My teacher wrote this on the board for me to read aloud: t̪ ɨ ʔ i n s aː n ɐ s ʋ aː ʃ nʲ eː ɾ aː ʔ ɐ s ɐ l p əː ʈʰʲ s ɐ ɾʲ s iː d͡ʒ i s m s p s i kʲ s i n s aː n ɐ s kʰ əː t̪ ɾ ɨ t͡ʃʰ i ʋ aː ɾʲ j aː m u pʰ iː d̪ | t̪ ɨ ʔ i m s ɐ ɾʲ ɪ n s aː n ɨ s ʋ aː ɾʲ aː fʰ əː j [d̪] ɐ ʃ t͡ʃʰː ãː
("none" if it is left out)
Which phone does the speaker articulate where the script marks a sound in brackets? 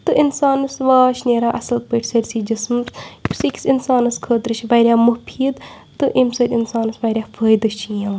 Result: d̪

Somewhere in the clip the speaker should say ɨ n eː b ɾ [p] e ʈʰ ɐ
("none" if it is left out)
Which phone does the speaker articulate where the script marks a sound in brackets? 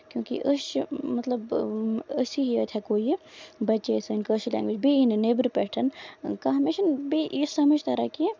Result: p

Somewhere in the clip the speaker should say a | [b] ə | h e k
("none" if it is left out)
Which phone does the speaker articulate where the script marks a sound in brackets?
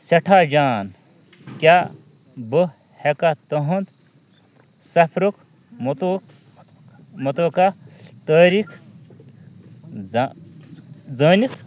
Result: b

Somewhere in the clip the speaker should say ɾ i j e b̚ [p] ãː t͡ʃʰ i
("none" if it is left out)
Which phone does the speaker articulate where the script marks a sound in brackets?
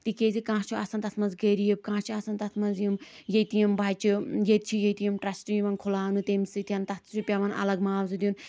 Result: k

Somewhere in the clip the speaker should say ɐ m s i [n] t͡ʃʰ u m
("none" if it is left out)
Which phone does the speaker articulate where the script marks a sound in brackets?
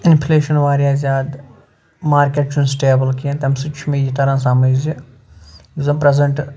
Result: none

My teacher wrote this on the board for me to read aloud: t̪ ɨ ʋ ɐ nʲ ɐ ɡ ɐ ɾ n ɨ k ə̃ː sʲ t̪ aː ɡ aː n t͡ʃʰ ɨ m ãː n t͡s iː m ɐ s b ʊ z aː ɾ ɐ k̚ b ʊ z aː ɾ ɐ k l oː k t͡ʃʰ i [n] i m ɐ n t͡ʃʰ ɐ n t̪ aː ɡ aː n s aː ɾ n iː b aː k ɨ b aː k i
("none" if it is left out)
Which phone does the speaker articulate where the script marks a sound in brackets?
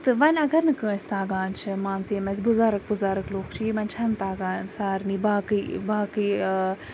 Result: none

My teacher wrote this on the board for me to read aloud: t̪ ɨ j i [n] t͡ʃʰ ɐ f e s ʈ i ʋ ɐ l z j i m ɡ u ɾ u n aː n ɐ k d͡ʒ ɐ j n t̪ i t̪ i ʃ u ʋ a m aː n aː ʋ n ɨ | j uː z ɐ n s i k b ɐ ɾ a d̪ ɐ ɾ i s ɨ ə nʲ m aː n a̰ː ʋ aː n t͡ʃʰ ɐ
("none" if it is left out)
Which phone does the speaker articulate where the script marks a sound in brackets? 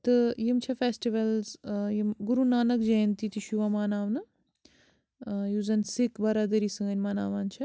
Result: m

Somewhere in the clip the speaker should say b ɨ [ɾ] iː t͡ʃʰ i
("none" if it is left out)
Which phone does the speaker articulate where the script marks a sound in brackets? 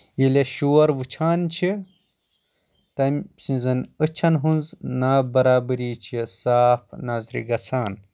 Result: ɾ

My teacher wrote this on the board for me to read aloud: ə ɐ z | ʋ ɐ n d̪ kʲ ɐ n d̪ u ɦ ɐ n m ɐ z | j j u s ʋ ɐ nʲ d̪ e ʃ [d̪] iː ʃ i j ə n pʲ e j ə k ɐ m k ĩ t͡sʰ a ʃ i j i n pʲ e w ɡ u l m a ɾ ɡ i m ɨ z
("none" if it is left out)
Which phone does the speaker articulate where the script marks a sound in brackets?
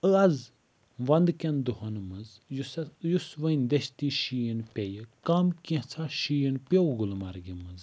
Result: t̪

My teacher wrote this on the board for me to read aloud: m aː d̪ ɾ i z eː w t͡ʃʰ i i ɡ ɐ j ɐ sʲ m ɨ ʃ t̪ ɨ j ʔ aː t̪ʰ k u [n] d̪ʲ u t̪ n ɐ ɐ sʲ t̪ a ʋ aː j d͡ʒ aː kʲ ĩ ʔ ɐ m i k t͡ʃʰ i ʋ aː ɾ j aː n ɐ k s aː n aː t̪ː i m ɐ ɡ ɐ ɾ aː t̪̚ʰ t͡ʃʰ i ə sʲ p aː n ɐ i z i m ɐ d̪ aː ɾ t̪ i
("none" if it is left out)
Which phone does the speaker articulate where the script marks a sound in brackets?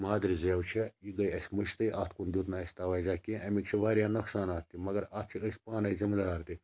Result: n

